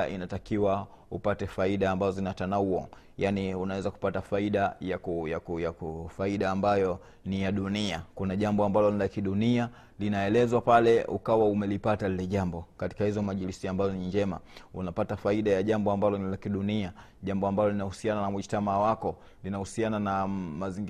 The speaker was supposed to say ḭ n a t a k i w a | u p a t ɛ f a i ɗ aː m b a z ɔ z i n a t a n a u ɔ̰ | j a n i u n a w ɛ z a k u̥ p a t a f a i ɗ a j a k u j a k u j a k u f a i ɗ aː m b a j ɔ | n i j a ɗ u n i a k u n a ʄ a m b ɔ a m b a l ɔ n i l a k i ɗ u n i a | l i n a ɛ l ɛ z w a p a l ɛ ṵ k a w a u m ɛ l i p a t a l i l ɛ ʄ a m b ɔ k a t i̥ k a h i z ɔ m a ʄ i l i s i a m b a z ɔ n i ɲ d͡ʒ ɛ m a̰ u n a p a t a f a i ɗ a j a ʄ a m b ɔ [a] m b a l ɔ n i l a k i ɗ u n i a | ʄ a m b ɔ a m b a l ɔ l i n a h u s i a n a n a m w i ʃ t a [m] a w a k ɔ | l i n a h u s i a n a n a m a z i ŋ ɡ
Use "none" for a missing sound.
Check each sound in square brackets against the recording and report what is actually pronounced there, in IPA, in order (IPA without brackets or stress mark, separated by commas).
a, m